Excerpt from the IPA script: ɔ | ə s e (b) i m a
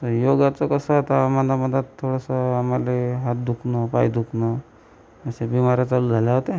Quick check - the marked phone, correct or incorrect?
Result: correct